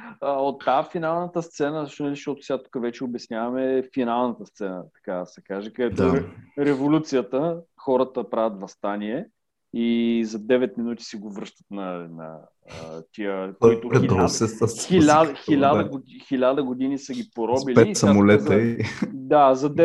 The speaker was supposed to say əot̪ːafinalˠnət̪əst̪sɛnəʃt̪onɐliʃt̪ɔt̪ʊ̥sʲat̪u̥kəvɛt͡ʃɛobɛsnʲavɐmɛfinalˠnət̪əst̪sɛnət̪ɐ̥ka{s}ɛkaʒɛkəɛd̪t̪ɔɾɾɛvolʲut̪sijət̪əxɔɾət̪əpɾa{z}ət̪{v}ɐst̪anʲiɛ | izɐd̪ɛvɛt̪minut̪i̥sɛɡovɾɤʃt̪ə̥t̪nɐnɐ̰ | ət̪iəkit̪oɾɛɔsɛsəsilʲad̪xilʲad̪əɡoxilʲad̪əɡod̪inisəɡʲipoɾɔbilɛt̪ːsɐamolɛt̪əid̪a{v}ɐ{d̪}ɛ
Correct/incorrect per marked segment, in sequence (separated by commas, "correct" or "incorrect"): correct, incorrect, correct, incorrect, correct